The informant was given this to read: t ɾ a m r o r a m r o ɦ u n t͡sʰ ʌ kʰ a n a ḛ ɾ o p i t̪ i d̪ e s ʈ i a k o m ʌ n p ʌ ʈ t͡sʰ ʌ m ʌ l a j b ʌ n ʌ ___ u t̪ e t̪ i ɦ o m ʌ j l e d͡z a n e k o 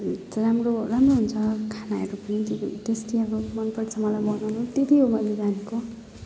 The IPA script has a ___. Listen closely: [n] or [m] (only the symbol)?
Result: n